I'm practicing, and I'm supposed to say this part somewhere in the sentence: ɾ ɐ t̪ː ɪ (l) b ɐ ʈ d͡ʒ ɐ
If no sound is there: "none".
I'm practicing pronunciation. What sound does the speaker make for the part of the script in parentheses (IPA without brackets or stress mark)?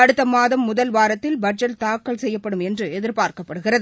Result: l